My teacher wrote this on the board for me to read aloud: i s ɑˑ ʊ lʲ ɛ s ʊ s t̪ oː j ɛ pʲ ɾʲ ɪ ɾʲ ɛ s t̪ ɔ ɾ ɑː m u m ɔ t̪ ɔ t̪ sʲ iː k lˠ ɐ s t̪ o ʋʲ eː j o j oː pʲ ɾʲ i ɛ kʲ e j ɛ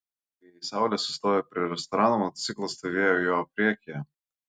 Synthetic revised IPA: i s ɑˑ ʊ lʲ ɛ s ʊ s t̪ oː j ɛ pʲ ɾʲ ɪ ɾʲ ɛ s t̪ ɔ ɾ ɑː n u m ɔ t̪ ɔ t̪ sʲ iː k lˠ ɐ s t̪ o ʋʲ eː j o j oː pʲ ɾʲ i ɛ kʲ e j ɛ

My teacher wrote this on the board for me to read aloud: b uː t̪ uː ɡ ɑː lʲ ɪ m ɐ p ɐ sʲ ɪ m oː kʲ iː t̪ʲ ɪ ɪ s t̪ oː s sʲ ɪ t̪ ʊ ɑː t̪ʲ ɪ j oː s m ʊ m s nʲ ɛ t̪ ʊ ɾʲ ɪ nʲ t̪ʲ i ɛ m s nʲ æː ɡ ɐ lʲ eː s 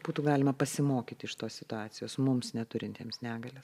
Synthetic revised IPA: b uː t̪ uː ɡ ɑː lʲ ɪ m ɐ p ɐ sʲ ɪ m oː kʲ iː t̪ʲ ɪ ɪ ʃ t̪ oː s sʲ ɪ t̪ ʊ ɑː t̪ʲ ɪ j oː s m ʊ m s nʲ ɛ t̪ ʊ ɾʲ ɪ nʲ t̪ʲ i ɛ m s nʲ æː ɡ ɐ lʲ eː s

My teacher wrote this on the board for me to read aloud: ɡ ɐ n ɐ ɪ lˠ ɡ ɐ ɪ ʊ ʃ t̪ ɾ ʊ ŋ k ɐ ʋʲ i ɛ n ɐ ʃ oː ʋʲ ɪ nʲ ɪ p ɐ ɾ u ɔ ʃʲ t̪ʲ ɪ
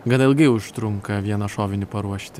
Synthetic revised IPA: ɡ ɐ n ɐ ɪ lˠ ɡ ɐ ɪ ʊ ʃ t̪ ɾ ʊ ŋ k ɐ ʋʲ i ɛ n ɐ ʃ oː ʋʲ ɪ nʲ ɪ p ɐ ɾ u ɔ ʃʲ t̪ʲ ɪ

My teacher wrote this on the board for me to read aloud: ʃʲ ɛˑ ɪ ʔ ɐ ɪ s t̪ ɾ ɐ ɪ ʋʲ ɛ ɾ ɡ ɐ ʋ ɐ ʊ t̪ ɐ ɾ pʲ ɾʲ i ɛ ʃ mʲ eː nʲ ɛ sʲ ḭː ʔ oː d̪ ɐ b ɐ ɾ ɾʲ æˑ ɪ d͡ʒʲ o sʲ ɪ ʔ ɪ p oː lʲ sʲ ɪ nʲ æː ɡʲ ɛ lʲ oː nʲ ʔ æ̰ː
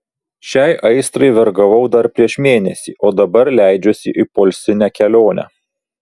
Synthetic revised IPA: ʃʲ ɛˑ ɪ ʔ ɐ ɪ s t̪ ɾ ɐ ɪ ʋʲ ɛ ɾ ɡ ɐ ʋ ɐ ʊ d̪ ɐ ɾ pʲ ɾʲ i ɛ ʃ mʲ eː nʲ ɛ sʲ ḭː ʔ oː d̪ ɐ b ɐ ɾ lʲ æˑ ɪ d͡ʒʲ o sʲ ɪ ʔ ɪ p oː lʲ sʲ ɪ nʲ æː kʲ ɛ lʲ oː nʲ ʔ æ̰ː

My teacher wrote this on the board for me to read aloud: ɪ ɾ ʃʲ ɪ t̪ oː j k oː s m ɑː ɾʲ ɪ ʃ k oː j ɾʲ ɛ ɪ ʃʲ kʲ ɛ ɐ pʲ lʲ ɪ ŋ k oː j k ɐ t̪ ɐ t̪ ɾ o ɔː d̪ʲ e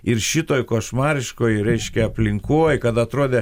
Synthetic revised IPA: ɪ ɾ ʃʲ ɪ t̪ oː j k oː ʃ m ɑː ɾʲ ɪ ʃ k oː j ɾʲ ɛ ɪ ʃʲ kʲ ɛ ɐ pʲ lʲ ɪ ŋ k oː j k ɐ t̪ ɐ t̪ ɾ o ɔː d̪ʲ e

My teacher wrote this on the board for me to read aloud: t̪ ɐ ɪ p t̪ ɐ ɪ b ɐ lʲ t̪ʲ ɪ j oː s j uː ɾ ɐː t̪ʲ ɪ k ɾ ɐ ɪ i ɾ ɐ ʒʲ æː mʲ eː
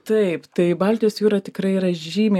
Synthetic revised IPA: t̪ ɐ ɪ p t̪ ɐ ɪ b ɐ lʲ t̪ʲ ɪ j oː s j uː ɾ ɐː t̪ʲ ɪ k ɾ ɐ ɪ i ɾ ɐ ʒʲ iː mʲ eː

